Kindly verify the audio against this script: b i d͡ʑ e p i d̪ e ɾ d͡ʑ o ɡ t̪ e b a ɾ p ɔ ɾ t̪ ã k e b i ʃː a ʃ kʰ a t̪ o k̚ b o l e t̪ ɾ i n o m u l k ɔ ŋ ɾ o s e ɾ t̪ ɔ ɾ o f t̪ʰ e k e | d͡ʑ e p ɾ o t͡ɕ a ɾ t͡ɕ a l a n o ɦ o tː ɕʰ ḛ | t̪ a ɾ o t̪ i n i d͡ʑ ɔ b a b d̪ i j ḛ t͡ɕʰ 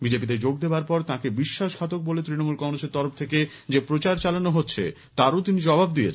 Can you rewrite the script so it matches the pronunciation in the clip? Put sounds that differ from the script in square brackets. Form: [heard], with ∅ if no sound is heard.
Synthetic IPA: b i d͡ʑ e p i d̪ e ɾ d͡ʑ o ɡ [d̪] e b a ɾ p ɔ ɾ t̪ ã k e b i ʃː a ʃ kʰ a t̪ o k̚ b o l e t̪ ɾ i n o m u l k ɔ ŋ ɾ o s e ɾ t̪ ɔ ɾ o f t̪ʰ e k e | d͡ʑ e p ɾ o t͡ɕ a ɾ t͡ɕ a l a n o ɦ o tː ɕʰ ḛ | t̪ a ɾ o t̪ i n i d͡ʑ ɔ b a b d̪ i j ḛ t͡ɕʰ